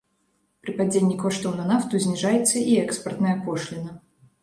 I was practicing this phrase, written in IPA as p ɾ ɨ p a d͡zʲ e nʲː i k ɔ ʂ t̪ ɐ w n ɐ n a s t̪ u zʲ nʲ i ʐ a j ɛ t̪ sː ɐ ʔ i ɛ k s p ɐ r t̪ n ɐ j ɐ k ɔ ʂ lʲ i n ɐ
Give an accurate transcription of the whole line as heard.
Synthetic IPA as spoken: p ɾ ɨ p a d͡zʲ e nʲː i k ɔ ʂ t̪ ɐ w n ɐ n a f t̪ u zʲ nʲ i ʐ a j ɛ t̪ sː ɐ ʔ i ɛ k s p ɐ r t̪ n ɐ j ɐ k ɔ ʂ lʲ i n ɐ